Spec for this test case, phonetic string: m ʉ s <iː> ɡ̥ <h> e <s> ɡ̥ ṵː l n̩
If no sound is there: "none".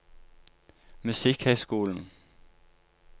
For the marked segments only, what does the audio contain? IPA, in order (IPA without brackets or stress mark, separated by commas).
i, h, s